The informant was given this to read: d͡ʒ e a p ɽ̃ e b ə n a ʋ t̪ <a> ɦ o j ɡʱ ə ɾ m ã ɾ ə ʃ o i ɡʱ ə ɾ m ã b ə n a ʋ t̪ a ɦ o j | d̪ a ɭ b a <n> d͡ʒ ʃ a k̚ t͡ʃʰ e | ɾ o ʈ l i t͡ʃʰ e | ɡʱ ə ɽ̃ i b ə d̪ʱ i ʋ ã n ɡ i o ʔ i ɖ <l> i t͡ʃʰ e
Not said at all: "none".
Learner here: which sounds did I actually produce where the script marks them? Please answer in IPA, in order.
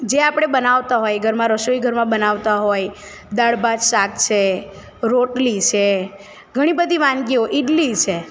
a, none, l

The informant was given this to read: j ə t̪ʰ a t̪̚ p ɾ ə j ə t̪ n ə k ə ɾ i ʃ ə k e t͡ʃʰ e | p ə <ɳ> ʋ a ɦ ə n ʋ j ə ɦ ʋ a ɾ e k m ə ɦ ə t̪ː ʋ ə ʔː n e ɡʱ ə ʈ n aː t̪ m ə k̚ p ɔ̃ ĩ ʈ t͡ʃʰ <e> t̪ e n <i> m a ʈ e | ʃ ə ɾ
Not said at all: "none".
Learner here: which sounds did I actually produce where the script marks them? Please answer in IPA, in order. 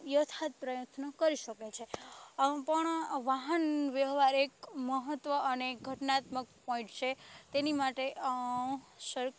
ɳ, e, i

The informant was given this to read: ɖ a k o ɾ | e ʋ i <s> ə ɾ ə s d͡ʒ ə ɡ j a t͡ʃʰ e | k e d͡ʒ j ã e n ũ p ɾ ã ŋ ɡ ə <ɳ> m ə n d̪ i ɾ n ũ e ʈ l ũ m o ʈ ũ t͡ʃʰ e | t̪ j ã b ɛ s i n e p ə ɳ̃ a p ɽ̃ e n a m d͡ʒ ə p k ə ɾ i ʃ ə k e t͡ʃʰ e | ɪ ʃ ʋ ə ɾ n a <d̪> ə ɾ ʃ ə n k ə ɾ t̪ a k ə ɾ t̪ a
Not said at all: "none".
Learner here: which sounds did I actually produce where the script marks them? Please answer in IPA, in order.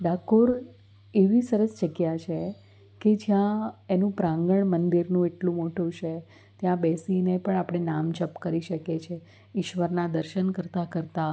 s, ɳ, d̪

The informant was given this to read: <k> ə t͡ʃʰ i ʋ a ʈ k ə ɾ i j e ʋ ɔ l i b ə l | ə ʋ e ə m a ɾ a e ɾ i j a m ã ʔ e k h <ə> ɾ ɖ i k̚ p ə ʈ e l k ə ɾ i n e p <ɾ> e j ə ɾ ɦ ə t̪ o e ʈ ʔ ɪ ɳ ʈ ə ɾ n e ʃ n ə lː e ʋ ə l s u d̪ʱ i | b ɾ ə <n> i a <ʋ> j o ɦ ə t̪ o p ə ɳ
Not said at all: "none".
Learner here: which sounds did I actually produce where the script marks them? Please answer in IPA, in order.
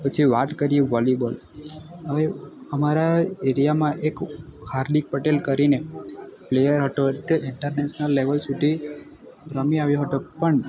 p, a, l, m, ʋ

